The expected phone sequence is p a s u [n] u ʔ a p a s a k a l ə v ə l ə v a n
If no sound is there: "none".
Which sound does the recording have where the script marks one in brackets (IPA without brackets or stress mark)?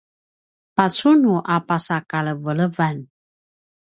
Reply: n